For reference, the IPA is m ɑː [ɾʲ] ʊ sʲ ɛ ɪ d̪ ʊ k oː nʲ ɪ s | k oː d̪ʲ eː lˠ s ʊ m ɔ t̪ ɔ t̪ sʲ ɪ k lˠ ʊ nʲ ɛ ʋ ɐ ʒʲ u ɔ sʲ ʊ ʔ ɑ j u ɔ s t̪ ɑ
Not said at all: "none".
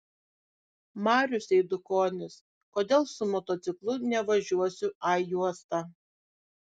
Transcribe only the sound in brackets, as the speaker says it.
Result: ɾʲ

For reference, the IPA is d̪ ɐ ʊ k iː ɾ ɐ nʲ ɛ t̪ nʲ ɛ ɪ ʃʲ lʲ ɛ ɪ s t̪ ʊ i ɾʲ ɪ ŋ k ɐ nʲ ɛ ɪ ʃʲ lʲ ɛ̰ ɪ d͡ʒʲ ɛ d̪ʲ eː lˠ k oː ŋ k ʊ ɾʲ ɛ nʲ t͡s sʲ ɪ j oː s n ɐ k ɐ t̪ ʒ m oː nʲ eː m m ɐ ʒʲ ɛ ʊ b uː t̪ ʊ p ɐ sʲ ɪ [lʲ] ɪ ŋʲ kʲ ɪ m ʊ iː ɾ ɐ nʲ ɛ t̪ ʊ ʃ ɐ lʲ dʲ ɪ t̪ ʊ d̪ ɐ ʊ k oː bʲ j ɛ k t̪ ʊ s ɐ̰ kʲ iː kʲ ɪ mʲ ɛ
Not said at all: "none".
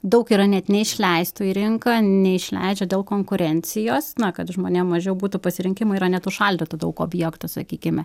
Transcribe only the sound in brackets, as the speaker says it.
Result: ɾʲ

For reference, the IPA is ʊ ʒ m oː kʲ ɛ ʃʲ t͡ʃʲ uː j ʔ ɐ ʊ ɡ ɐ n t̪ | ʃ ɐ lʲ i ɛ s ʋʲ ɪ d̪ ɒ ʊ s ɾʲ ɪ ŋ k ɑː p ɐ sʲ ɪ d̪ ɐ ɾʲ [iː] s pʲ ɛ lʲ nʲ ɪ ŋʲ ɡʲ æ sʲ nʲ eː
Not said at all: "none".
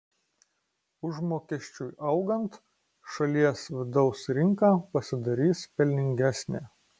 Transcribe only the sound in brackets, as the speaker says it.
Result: iː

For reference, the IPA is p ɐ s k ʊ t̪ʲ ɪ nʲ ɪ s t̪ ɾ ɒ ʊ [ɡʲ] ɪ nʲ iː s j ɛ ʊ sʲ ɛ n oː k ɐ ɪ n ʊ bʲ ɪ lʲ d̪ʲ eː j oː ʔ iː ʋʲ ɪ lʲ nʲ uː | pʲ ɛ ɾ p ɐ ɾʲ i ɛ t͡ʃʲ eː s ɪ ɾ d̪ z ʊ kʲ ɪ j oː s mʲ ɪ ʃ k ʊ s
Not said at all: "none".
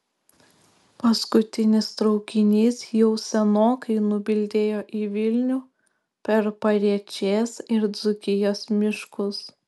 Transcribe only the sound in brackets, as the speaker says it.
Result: kʲ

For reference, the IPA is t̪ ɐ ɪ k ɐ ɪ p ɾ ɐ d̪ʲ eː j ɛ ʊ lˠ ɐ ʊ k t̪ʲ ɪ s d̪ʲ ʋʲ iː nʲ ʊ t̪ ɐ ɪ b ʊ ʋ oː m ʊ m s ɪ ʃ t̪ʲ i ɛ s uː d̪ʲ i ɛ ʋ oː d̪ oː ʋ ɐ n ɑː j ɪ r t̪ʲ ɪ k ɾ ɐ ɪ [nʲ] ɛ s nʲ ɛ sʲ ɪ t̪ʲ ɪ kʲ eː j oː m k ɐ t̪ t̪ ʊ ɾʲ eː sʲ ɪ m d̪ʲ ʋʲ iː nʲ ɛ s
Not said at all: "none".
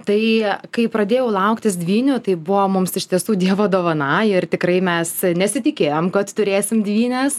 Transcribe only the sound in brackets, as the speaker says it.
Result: mʲ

